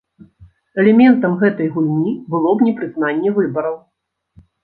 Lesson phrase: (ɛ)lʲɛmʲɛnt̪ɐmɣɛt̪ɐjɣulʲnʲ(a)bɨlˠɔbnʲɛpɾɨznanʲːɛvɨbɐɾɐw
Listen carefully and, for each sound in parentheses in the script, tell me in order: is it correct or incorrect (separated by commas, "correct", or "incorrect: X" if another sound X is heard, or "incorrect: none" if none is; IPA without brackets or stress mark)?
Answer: correct, incorrect: i